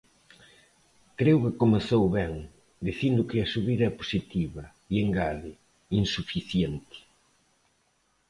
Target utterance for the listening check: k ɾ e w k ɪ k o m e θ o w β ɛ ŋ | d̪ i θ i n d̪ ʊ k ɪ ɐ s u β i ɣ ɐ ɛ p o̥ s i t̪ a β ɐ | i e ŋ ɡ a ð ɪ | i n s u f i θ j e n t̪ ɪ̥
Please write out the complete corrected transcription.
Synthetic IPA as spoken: k ɾ e w k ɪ k o m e θ o w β ɛ ŋ | d̪ i θ i n d̪ ʊ k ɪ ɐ s u β i ð ɐ ɛ p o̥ s i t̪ i β ɐ | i e ŋ ɡ a ð ɪ | i n s u f i θ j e n t̪ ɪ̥